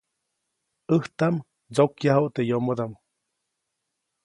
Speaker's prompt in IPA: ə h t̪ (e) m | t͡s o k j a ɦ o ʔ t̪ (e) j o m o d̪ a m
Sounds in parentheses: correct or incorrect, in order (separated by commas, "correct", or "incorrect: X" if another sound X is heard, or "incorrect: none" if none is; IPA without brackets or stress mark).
incorrect: a, correct